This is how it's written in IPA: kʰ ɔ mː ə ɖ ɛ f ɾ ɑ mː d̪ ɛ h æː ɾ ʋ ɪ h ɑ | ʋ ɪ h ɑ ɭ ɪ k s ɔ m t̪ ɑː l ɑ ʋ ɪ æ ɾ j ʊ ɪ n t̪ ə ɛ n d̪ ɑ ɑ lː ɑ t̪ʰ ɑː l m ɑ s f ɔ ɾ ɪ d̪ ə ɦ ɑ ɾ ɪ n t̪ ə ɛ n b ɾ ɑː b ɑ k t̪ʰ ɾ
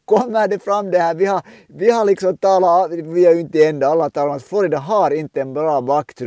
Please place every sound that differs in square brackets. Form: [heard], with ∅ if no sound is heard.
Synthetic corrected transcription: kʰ ɔ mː ə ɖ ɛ f ɾ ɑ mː d̪ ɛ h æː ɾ ʋ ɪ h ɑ | ʋ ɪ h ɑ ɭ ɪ k s ɔ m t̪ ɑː l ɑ ʋ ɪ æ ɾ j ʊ ɪ n t̪ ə ɛ n d̪ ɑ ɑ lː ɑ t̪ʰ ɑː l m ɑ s f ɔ ɾ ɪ d̪ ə ɦ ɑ ɾ ɪ n t̪ ə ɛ n b ɾ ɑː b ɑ k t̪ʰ ɾ